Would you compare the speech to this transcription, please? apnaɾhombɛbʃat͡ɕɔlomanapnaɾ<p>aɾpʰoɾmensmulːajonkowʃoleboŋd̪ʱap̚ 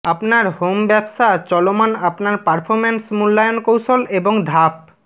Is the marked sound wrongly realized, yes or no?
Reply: no